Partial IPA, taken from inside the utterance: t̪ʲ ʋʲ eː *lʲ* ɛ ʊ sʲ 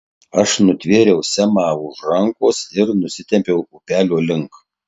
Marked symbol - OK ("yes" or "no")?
no